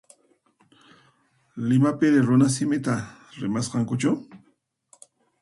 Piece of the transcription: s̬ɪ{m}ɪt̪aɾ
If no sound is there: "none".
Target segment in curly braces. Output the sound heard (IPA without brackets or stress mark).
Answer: m